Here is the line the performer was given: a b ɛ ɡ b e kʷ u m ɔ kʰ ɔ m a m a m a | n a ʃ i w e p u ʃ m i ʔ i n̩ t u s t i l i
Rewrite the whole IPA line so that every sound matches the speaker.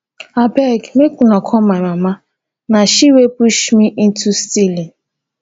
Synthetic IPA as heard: a b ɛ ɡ m e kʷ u n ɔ kʰ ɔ m a m a m a | n a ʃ i w e p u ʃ m i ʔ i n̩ t u s t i l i